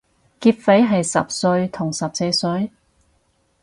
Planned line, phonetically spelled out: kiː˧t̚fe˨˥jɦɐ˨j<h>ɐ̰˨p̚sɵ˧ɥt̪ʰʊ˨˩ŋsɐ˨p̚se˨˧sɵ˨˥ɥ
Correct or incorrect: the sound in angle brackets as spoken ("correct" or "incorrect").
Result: incorrect